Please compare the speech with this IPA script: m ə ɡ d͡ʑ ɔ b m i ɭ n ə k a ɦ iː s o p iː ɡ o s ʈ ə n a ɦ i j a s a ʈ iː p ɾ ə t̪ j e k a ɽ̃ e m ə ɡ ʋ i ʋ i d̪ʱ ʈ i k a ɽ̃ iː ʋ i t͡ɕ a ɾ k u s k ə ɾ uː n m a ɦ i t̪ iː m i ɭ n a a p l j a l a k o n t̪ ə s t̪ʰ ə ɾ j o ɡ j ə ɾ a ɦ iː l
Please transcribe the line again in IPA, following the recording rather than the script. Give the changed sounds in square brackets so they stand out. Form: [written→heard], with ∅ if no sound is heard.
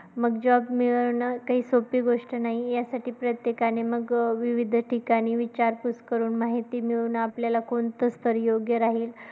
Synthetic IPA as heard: m ə ɡ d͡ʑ ɔ b m i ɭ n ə k a ɦ iː s o p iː ɡ o [s→ʂ] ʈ ə n a ɦ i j a s a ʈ iː p ɾ ə t̪ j e k a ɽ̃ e m ə ɡ ʋ i ʋ i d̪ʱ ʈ i k a ɽ̃ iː ʋ i t͡ɕ a ɾ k u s k ə ɾ uː n m a ɦ i t̪ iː m i ɭ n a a p l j a l a k o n t̪ ə s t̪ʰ ə ɾ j o ɡ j ə ɾ a ɦ iː l